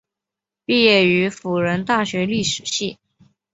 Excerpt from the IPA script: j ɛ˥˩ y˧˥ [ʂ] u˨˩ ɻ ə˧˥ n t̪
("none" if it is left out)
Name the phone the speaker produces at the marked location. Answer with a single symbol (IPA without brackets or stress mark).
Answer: f